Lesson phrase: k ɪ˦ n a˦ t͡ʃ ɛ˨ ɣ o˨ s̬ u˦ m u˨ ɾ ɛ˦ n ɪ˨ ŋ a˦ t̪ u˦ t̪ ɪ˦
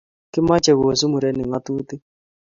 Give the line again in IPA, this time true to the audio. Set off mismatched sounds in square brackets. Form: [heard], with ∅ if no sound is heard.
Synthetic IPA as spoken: k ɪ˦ [m] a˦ t͡ʃ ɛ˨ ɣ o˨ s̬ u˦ m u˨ ɾ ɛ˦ n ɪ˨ ŋ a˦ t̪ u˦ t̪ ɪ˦